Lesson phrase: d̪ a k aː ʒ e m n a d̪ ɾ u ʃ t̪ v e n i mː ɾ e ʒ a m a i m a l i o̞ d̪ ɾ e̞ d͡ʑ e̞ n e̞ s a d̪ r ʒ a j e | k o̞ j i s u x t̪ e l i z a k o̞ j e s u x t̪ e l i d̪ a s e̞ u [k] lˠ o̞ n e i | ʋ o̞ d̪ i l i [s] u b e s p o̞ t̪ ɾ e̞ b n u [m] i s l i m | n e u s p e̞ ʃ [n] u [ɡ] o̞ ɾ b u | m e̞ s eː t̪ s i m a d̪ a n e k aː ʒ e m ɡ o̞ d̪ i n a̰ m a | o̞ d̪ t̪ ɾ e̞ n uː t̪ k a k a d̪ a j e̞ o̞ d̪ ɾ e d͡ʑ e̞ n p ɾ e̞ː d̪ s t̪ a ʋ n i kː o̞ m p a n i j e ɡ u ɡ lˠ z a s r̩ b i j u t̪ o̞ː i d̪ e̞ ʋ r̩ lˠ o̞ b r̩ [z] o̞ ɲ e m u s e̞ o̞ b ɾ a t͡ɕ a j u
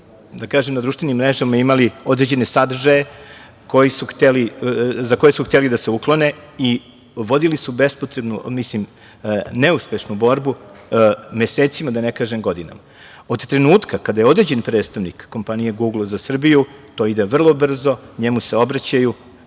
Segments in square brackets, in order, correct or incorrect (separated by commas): correct, correct, correct, correct, incorrect, correct